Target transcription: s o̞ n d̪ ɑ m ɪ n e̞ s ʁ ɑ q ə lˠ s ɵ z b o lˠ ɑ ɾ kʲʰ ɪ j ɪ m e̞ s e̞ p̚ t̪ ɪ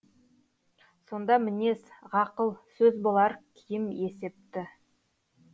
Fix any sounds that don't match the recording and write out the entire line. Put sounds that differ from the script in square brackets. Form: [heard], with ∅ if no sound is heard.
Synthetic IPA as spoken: s o̞ n d̪ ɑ m ɪ n e̞ s ʁ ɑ q ə lˠ s ɵ z b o lˠ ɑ ɾ kʲʰ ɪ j ɪ m e̞ s e̞ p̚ t̪ ɪ